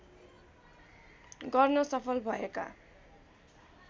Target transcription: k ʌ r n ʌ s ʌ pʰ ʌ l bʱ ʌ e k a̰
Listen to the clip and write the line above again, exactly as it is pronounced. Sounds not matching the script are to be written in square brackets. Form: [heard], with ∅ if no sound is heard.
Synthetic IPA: [ɡ] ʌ r n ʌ s ʌ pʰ ʌ l bʱ ʌ e k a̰